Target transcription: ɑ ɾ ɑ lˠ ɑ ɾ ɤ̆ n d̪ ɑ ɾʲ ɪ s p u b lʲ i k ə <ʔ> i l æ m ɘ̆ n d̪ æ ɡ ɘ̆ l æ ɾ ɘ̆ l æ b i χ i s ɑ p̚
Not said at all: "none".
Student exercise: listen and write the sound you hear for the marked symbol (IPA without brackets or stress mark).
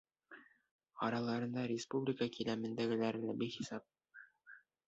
k